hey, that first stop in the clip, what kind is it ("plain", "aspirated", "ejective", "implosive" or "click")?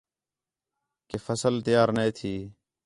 plain